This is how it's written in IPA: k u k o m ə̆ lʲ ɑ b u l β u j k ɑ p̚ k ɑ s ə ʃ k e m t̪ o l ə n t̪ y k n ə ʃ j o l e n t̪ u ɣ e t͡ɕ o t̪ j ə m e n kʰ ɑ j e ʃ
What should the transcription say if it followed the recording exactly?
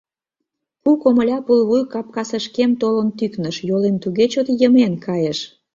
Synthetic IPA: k u k o m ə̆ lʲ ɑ p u l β u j k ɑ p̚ k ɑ s ə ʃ k e m t̪ o l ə n t̪ y k n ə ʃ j o l e m t̪ u ɣ e t͡ɕ o t̪ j ə m e n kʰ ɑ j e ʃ